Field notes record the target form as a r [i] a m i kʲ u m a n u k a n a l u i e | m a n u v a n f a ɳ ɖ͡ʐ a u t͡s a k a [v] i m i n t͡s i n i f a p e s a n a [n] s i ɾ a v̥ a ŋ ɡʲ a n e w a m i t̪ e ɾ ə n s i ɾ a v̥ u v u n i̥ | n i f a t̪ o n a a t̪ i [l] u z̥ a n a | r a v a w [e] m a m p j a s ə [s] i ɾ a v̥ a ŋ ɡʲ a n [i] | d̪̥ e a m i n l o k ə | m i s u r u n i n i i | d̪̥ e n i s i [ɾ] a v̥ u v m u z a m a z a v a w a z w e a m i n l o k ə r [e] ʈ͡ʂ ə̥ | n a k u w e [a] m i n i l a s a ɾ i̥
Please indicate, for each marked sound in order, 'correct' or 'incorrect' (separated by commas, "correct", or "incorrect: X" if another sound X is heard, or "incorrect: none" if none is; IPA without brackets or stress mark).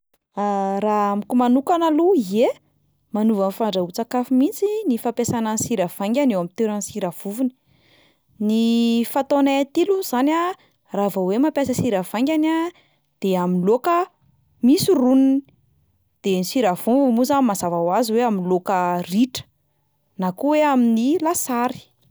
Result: incorrect: a, incorrect: f, correct, correct, correct, correct, incorrect: a, correct, incorrect: i, correct